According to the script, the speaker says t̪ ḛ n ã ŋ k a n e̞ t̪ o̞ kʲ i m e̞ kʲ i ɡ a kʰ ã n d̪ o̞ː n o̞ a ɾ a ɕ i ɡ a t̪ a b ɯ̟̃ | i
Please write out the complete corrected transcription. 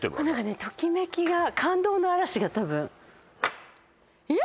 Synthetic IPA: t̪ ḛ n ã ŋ k a n e̞ t̪ o̞ kʲ i m e̞ kʲ i ɡ a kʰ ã n d̪ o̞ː n o̞ a ɾ a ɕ i ɡ a t̪ a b ɯ̟̃ | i